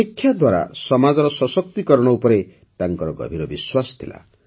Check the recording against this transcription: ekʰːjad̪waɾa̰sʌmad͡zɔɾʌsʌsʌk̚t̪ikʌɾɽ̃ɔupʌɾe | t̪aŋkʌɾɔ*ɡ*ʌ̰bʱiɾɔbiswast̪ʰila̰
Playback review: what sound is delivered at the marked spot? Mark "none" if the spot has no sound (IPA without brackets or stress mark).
ɡ